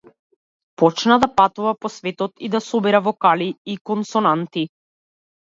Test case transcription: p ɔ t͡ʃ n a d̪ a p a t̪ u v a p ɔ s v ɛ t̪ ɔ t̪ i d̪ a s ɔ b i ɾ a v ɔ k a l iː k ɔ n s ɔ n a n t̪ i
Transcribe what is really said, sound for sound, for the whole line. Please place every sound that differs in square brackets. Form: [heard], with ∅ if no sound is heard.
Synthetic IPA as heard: p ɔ t͡ʃ n a d̪ a p a t̪ u v a p ɔ s v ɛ t̪ ɔ t̪ i d̪ a s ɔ b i ɾ a v ɔ k a l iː k ɔ n s ɔ n a n t̪ i